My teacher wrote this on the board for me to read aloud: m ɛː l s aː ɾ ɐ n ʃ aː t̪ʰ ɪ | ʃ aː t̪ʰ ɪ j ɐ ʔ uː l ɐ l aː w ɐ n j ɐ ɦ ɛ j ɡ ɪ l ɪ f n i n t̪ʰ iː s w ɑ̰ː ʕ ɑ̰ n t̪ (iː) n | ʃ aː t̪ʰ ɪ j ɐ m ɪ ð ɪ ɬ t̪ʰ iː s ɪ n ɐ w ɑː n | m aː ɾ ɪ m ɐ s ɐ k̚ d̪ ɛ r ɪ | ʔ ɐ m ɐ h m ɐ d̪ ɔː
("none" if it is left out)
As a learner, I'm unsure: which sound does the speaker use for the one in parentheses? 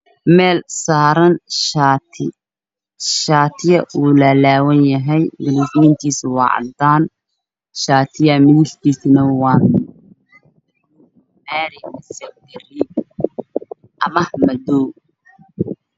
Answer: aː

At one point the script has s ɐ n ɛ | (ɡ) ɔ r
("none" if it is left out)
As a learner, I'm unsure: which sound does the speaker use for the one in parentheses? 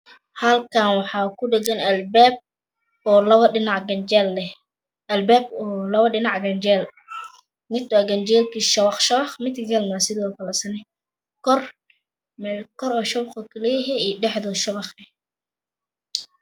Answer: k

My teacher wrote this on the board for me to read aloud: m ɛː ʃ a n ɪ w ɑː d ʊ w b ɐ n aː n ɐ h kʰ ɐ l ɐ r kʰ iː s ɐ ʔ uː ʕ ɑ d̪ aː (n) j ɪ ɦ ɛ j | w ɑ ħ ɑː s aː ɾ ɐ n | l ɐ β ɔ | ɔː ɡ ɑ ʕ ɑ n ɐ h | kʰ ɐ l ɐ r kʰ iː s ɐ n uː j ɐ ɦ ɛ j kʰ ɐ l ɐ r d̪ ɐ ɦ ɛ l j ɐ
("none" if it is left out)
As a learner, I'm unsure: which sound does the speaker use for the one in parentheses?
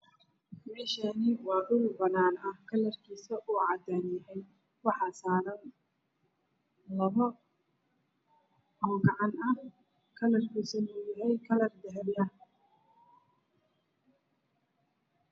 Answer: n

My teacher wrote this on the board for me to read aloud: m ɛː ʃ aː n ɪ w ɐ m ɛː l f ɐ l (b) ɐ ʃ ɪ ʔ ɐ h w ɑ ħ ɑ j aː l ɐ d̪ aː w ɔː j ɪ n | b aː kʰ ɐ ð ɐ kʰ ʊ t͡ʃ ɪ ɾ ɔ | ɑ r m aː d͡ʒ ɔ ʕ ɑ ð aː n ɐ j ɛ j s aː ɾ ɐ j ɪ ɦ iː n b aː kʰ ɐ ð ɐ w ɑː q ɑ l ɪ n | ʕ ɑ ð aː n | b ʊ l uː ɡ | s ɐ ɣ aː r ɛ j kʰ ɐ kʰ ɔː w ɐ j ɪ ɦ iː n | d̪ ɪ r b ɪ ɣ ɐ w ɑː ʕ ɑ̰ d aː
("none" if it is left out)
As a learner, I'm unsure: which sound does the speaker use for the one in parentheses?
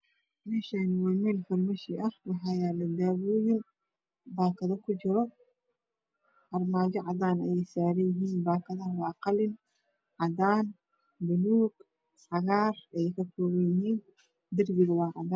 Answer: m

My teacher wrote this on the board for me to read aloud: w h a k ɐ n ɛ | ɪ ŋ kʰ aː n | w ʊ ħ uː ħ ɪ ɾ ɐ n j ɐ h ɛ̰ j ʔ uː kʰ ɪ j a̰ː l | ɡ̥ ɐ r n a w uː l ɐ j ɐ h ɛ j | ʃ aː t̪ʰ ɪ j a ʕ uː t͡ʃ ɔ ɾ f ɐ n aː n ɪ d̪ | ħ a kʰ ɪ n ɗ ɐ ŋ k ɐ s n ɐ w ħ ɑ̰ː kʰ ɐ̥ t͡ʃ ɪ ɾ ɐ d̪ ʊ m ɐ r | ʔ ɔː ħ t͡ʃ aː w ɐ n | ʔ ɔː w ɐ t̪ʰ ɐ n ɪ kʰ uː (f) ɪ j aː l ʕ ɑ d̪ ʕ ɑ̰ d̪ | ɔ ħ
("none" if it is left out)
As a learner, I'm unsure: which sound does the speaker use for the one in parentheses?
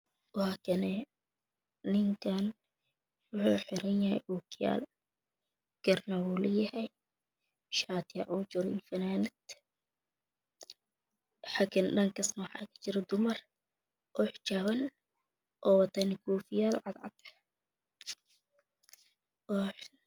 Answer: f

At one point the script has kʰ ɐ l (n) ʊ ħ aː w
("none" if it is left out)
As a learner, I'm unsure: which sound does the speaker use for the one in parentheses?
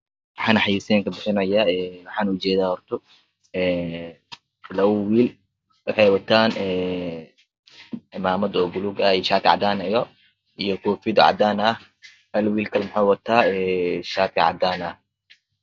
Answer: m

